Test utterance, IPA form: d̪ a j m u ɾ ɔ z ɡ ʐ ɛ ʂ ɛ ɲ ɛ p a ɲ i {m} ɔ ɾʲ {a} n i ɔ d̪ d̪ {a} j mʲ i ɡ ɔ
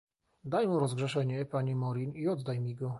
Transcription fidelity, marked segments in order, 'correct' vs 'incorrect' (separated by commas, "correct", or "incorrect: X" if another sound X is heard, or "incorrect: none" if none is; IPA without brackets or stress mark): correct, incorrect: i, correct